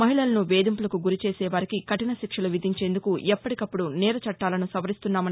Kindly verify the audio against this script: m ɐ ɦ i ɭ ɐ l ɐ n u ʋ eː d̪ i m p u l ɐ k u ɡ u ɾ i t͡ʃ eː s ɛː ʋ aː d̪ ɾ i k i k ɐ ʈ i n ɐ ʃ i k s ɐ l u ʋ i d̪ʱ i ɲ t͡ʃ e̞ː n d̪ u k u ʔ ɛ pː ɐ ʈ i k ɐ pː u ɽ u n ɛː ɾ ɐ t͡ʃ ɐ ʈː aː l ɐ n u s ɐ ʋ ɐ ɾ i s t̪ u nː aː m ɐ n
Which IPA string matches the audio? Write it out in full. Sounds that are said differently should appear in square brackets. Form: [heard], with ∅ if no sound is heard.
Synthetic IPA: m ɐ ɦ i ɭ ɐ l ɐ n u ʋ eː d̪ i m p u l ɐ k u ɡ u ɾ i t͡ʃ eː s ɛː ʋ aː [∅] ɾ i k i k ɐ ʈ i n ɐ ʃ i k [ʂ] ɐ l u ʋ i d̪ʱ i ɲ t͡ʃ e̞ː n d̪ u k u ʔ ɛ pː ɐ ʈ i k ɐ pː u ɽ u n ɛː ɾ ɐ t͡ʃ ɐ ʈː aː l ɐ n u s ɐ ʋ ɐ ɾ i s t̪ u nː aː m ɐ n

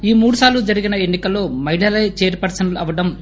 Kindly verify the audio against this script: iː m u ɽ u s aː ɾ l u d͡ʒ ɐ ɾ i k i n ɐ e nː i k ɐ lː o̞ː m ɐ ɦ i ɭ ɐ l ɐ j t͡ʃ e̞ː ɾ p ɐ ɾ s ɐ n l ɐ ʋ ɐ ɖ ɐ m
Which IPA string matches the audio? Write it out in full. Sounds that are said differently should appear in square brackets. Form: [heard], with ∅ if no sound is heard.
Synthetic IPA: iː m [uː] ɽ u s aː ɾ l u d͡ʒ ɐ ɾ i [ɡ] i n ɐ e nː i k ɐ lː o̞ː m ɐ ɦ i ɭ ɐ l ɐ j t͡ʃ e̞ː ɾ p ɐ ɾ s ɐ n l ɐ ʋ ɐ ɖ ɐ m

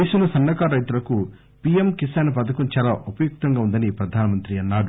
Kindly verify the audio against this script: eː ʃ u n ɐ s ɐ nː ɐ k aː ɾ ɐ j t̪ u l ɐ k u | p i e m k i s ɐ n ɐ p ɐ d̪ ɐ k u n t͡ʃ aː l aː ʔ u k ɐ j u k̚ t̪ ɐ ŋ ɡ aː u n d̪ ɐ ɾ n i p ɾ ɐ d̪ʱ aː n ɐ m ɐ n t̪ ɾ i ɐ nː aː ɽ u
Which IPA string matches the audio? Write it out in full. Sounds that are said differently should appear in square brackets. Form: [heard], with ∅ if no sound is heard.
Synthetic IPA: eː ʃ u n ɐ s ɐ nː ɐ k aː ɾ ɐ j t̪ u l ɐ k u | p i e m k i s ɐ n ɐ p ɐ d̪ ɐ k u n t͡ʃ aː l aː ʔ u [p] ɐ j u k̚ t̪ ɐ ŋ ɡ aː u n d̪ ɐ [∅] n i p ɾ ɐ d̪ʱ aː n ɐ m ɐ n t̪ ɾ i ɐ nː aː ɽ u

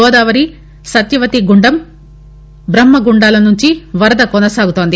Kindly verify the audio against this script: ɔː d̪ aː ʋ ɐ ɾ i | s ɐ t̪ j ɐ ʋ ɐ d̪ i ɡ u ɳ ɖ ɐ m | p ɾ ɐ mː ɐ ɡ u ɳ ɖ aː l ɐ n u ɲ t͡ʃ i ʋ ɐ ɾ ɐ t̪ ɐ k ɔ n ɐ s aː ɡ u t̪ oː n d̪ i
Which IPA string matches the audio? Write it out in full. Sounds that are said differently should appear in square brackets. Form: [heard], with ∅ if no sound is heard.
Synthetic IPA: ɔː d̪ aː ʋ ɐ ɾ i | s ɐ t̪ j ɐ ʋ ɐ [t̪] i ɡ u ɳ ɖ ɐ m | [b] ɾ ɐ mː ɐ ɡ u ɳ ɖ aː l ɐ n u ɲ t͡ʃ i ʋ ɐ ɾ ɐ [d̪] ɐ k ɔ n ɐ s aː ɡ u t̪ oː n d̪ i

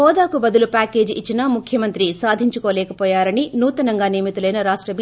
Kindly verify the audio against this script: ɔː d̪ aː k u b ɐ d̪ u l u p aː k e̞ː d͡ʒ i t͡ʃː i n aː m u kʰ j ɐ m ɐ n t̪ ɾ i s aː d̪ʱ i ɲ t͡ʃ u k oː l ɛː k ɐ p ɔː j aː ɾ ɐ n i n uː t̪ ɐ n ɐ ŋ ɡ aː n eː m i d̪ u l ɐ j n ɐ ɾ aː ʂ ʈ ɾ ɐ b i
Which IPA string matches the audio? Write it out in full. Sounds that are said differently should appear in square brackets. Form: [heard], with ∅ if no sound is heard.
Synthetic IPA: ɔː d̪ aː k u b ɐ d̪ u l u p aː k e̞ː d͡ʒ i t͡ʃː i n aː m u kʰ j ɐ m ɐ n t̪ ɾ i s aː d̪ʱ i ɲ t͡ʃ u k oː l ɛː k ɐ p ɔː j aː ɾ ɐ n i n uː t̪ ɐ n ɐ ŋ ɡ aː n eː m i [t̪] u l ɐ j n ɐ ɾ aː ʂ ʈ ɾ ɐ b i

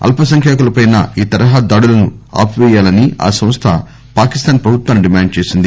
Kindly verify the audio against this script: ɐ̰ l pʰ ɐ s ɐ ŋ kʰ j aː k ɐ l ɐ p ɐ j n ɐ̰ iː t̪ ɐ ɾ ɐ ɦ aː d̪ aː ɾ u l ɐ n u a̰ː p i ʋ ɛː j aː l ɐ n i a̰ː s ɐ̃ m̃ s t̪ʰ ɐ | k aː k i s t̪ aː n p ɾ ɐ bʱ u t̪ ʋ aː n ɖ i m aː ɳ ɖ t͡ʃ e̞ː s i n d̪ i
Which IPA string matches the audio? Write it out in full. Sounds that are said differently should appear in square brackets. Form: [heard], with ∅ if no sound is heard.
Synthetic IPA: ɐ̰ l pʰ ɐ s ɐ ŋ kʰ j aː k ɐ l ɐ p ɐ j n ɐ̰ iː t̪ ɐ ɾ ɐ ɦ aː d̪ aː [ɽ] u l ɐ n u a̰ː p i ʋ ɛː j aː l ɐ n i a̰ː s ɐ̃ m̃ s t̪ʰ ɐ | [p] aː k i s t̪ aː n p ɾ ɐ bʱ u t̪ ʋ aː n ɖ i m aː ɳ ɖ t͡ʃ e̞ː s i n d̪ i

